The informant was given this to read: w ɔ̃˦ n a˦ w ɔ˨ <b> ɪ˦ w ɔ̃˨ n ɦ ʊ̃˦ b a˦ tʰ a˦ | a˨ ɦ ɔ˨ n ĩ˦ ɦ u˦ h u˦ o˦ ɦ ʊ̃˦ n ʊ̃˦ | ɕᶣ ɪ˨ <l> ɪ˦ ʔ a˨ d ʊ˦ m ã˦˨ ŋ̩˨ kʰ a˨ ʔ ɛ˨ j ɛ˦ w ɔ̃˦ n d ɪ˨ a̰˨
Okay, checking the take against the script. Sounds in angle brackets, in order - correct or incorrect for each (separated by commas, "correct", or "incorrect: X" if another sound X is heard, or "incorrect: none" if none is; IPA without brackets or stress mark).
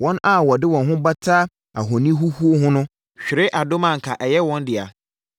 incorrect: d, incorrect: ɾ